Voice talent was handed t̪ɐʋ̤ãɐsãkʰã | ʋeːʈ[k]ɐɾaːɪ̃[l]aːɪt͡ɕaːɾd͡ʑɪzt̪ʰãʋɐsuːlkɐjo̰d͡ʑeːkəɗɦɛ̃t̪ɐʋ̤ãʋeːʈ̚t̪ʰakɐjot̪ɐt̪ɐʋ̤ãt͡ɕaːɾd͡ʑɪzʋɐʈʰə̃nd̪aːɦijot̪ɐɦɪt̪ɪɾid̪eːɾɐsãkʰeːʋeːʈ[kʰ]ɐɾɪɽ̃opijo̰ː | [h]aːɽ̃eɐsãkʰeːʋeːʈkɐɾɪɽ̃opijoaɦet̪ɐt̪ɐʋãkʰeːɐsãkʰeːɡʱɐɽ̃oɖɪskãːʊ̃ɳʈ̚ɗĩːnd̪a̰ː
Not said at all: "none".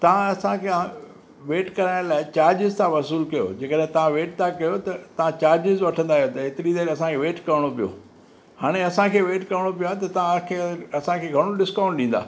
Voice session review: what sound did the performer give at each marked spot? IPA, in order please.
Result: k, l, k, h

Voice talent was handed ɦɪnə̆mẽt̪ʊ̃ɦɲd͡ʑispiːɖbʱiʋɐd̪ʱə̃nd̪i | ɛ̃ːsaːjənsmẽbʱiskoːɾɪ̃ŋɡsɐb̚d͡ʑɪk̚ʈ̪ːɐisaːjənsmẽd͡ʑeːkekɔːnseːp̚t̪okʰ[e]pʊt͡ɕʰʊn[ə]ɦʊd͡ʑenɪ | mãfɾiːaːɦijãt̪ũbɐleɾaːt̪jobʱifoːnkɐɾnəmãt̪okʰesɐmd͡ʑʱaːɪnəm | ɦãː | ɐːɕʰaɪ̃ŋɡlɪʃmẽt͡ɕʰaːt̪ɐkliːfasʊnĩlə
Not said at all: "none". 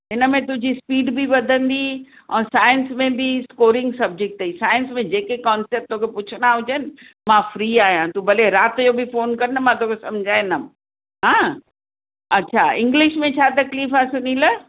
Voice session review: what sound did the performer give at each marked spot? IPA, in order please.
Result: e, a

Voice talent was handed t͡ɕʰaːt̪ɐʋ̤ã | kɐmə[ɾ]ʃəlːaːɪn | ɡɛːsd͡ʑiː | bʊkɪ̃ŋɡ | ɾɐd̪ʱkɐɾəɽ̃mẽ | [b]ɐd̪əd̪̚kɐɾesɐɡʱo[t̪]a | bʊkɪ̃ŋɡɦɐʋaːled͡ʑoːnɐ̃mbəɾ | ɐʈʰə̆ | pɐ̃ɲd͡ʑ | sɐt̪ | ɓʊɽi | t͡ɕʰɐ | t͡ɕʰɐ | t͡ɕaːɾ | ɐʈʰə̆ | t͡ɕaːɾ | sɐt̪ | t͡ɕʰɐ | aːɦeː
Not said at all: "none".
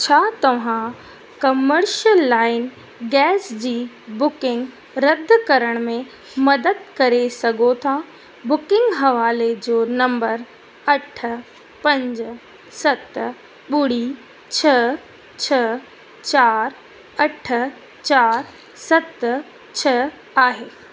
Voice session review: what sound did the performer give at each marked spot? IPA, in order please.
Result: ɾ, m, t̪ʰ

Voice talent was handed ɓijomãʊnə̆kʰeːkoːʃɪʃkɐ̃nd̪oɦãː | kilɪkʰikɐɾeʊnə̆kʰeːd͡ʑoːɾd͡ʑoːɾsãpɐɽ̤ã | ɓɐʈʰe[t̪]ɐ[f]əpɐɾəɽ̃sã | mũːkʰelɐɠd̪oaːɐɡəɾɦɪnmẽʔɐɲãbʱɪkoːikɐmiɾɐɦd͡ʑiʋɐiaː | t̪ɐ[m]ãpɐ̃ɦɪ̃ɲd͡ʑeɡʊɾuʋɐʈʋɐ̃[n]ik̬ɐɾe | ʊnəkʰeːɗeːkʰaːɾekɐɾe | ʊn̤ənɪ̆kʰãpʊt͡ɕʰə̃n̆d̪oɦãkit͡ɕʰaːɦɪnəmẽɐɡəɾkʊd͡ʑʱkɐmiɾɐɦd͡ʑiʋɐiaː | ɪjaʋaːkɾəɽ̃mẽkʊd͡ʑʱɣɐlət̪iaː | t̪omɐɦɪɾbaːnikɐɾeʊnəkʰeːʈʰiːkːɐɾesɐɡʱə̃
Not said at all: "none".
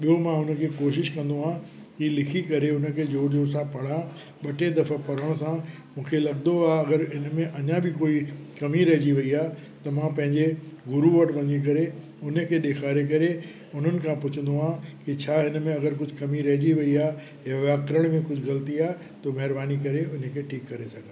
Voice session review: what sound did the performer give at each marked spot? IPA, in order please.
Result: d̪, f, m, ɲ

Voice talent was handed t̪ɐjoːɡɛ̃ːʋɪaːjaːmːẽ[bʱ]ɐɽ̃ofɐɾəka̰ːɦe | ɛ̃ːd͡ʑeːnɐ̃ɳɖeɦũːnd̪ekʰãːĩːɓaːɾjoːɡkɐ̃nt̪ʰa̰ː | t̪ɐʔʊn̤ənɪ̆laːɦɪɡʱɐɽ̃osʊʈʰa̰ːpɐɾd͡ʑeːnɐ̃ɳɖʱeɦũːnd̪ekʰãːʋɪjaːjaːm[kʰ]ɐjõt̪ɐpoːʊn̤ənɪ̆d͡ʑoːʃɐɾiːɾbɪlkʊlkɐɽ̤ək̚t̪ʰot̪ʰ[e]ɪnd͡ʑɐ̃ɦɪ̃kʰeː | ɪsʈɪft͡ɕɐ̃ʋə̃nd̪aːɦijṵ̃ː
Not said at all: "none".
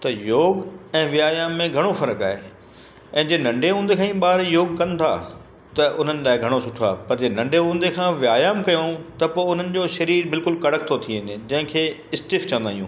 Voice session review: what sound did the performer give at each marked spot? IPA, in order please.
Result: ɡʱ, k, i

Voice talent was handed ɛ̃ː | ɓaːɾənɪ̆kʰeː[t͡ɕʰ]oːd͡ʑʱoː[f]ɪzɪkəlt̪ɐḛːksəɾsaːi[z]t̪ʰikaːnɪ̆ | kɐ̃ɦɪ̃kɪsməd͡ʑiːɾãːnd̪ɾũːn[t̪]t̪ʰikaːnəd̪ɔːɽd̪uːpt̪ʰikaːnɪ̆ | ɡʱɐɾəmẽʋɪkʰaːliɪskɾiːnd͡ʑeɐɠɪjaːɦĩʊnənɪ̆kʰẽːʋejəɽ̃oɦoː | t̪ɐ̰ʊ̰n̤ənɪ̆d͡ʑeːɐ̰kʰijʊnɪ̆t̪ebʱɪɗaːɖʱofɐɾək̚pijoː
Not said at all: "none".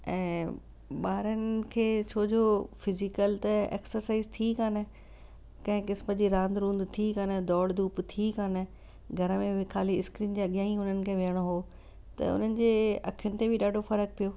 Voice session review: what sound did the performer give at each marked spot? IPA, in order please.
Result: t͡ɕʰ, f, z, d̪

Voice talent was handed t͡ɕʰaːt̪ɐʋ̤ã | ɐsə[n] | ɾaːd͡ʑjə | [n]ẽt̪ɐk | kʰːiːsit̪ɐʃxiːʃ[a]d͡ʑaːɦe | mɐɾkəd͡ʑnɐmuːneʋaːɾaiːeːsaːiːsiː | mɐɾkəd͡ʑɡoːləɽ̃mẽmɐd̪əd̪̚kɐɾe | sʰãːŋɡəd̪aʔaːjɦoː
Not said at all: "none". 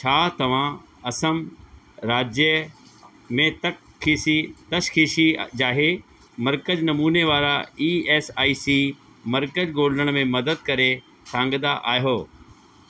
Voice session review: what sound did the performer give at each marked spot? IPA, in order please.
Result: m, m, i

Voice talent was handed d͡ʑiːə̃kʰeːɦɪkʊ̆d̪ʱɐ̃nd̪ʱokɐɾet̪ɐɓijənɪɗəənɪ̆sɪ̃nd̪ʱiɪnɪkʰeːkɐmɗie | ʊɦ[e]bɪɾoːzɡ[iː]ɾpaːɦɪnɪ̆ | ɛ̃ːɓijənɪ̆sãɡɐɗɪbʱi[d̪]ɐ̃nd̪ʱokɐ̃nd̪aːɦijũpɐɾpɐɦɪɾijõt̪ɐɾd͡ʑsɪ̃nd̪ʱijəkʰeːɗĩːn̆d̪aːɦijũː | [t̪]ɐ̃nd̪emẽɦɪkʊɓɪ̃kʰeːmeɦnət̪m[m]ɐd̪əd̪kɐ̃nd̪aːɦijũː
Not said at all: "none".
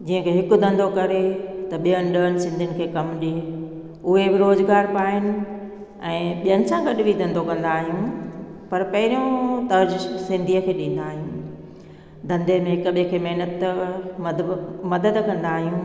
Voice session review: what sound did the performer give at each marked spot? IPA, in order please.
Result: e, aː, d̪, d̪, m

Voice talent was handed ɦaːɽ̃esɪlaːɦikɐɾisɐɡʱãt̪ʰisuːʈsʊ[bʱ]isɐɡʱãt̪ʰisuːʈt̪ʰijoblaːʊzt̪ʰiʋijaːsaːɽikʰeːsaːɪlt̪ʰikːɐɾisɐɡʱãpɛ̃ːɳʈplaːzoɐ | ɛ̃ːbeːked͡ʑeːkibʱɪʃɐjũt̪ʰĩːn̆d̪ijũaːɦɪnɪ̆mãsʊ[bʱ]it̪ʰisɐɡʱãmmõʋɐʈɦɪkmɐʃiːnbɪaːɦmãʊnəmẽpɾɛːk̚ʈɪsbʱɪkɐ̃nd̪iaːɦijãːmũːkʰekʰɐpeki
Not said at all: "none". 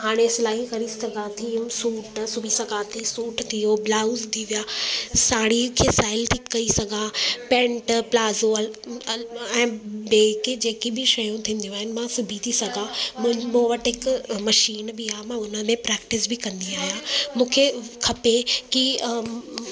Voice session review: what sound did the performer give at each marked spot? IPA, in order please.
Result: bʱ, bʱ

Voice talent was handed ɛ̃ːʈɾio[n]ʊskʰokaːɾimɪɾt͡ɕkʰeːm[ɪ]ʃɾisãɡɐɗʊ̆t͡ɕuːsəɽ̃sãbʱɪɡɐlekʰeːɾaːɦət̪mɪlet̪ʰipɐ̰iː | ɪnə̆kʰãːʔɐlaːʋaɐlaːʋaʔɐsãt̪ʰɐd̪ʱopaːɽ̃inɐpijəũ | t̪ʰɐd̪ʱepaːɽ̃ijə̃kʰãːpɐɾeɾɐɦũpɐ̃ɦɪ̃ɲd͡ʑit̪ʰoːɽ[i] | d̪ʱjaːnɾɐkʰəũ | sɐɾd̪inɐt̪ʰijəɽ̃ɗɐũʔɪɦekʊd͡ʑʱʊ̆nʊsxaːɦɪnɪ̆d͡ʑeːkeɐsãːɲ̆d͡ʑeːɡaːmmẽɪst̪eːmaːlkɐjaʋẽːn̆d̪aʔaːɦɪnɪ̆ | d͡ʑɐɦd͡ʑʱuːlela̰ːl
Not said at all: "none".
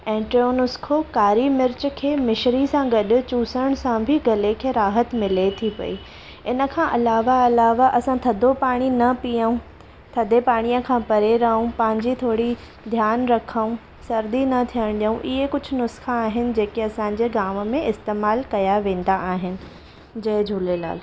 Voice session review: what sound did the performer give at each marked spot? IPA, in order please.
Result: n, ɪ, i

